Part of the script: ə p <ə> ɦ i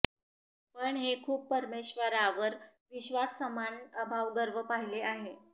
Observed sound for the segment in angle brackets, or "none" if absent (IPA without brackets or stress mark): a